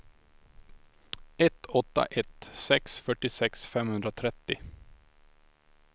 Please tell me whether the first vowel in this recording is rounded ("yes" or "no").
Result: no